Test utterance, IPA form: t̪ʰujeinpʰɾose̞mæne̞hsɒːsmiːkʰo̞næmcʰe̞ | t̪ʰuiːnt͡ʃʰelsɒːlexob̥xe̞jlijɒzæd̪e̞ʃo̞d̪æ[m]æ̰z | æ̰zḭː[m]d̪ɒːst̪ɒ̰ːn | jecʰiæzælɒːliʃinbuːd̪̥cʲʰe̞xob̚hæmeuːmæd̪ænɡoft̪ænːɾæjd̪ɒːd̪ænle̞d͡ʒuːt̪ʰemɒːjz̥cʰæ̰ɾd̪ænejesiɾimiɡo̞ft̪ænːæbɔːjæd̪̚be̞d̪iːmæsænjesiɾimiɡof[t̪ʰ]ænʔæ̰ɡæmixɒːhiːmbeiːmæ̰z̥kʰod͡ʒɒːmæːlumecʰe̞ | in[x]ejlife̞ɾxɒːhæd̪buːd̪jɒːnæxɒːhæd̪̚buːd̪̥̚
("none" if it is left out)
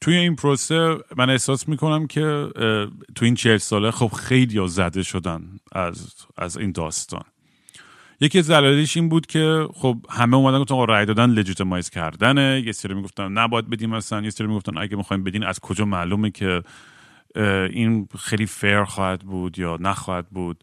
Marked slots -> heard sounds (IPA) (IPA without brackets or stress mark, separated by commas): n, n, t̪, x